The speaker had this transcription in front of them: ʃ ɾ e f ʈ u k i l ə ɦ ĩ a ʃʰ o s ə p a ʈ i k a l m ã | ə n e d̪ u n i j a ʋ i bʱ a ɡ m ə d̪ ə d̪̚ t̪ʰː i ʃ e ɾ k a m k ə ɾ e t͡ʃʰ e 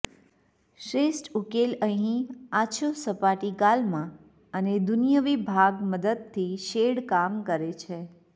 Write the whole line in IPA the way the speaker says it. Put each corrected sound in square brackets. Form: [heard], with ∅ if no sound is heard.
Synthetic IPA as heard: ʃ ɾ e [s] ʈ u k [e] l ə ɦ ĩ a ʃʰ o s ə p a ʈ i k a l m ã | ə n e d̪ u n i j [ə] ʋ i bʱ a ɡ m ə d̪ ə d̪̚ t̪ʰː i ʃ e [ɽ] k a m k ə ɾ e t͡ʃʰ e